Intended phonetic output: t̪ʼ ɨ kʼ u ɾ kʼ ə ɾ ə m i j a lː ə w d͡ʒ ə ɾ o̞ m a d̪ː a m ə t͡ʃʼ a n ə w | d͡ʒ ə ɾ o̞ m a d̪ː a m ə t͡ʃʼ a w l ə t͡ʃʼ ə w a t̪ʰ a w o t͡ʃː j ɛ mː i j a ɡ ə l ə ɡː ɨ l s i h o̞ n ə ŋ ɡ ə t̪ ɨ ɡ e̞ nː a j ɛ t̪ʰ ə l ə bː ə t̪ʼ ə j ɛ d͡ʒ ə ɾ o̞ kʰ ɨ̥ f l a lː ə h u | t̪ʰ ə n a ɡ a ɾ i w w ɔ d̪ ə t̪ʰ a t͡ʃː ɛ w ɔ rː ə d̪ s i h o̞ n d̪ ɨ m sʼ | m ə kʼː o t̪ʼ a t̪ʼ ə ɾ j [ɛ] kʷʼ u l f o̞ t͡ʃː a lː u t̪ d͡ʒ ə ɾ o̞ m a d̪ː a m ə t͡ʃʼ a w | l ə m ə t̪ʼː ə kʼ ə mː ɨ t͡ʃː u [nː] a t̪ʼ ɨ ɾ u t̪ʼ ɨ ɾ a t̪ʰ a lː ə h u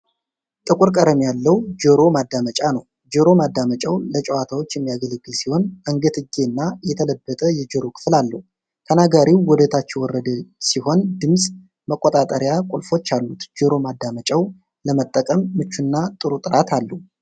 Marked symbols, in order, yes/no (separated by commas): no, yes